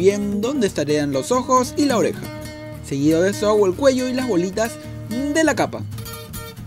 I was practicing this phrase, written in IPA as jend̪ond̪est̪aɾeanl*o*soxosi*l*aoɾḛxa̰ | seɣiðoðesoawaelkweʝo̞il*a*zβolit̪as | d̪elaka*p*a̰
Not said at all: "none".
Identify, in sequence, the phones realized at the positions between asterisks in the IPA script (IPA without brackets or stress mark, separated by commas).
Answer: o, l, a, p